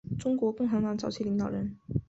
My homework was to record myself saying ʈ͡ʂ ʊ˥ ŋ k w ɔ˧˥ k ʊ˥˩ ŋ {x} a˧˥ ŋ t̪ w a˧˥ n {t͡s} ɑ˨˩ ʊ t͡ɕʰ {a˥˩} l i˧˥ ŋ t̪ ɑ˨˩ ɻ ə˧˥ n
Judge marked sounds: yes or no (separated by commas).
yes, yes, no